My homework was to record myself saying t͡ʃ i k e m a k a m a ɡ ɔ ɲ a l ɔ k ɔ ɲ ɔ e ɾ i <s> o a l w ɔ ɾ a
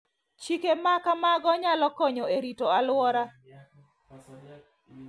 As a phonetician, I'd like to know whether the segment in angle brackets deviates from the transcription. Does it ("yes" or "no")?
yes